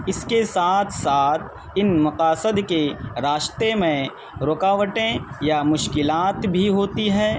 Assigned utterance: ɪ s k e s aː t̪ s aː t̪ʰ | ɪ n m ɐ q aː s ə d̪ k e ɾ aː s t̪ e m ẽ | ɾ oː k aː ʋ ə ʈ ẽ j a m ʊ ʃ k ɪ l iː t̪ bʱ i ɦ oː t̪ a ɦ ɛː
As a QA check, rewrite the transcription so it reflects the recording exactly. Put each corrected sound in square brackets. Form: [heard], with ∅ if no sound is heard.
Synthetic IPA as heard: ɪ s k e s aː [t̪ʰ] s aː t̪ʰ | ɪ n m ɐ q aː s ə d̪ k e ɾ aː [ʃ] t̪ e m ẽ | ɾ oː k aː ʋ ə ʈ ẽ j a m ʊ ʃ k ɪ l [aː] t̪ bʱ i ɦ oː t̪ [i] ɦ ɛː